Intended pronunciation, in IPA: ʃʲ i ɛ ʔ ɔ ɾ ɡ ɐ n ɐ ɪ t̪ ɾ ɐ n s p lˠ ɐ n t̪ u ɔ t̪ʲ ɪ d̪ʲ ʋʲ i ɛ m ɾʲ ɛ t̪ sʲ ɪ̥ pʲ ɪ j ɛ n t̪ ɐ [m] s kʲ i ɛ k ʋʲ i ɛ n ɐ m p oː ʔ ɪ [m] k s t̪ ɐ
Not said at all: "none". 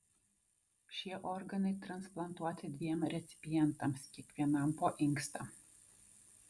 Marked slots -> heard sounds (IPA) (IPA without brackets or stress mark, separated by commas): m, ŋ